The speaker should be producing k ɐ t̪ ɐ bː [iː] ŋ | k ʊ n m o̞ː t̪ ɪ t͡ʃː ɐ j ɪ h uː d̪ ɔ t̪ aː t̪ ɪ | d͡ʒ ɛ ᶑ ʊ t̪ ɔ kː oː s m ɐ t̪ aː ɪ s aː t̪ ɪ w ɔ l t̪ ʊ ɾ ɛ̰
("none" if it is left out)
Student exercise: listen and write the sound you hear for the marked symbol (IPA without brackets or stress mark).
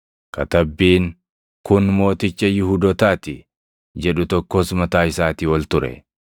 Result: iː